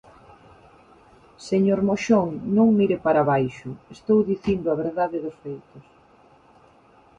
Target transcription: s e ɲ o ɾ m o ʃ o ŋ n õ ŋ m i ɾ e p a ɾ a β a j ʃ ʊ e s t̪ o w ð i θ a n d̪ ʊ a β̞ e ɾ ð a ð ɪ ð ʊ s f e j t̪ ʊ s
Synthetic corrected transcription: s e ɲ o ɾ m o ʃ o ŋ n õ ŋ m i ɾ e p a ɾ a β a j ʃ ʊ e s t̪ o w ð i θ i n d̪ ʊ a β̞ e ɾ ð a ð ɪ ð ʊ s f e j t̪ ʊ s